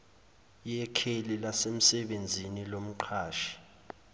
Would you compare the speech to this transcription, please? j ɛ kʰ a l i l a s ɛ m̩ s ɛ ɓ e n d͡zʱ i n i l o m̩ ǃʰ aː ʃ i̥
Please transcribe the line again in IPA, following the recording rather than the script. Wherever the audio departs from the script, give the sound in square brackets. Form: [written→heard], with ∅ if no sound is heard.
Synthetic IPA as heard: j ɛ kʰ [a→e] l i l a s [ɛ→e] m̩ s ɛ ɓ e n d͡zʱ i n i l o m̩ ǃʰ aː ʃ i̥

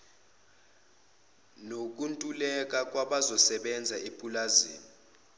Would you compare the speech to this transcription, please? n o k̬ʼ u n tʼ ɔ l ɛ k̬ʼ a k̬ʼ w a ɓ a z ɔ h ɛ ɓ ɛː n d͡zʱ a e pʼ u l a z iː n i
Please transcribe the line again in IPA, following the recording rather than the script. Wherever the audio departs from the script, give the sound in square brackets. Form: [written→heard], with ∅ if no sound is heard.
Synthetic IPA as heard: n o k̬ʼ u n tʼ [ɔ→u] l ɛ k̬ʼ a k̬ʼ w a ɓ a z ɔ [h→s] ɛ ɓ [ɛː→ɛ] n d͡zʱ a e pʼ u l a z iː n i

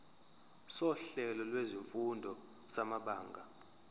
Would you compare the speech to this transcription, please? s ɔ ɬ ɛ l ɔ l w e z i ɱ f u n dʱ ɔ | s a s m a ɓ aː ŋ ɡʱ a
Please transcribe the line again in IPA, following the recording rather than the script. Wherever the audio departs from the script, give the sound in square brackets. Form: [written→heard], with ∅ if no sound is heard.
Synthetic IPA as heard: s ɔ ɬ ɛ l ɔ l w e z i ɱ f u n dʱ ɔ | s a [s→∅] m a ɓ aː ŋ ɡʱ a

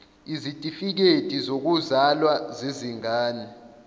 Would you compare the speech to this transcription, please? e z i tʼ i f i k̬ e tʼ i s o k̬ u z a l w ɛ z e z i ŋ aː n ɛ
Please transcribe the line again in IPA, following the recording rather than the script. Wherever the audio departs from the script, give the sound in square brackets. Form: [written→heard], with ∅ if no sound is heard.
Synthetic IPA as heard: [e→i] z i tʼ i f i k̬ e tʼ i [s→z] o k̬ u z a l w [ɛ→a] z e z i ŋ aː n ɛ

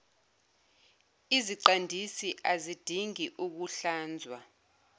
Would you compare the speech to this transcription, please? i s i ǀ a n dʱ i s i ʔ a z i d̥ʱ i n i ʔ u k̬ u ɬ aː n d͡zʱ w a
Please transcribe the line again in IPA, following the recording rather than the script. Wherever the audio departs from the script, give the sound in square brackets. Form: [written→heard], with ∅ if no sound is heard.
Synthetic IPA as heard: i [s→z] i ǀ a n dʱ i s i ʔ a z i d̥ʱ i [n→ŋ] i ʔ u k̬ u ɬ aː n d͡zʱ w a

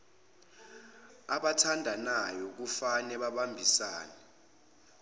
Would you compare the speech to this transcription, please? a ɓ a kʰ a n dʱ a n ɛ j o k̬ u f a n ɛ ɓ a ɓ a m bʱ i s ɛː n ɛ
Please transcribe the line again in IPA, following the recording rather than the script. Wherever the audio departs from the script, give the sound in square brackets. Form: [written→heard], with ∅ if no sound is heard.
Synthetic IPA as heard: a ɓ a [kʰ→tʰ] a n dʱ a n [ɛ→a] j [o→ɔ] k̬ u f a n ɛ ɓ a ɓ a m bʱ i s [ɛː→aː] n ɛ

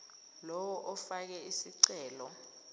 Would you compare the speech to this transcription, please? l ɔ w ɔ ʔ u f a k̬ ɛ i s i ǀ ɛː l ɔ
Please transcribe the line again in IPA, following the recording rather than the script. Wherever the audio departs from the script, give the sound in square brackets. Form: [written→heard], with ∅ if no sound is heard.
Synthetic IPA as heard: l ɔ w ɔ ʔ [u→ɔ] f a k̬ ɛ i s i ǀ ɛː l ɔ

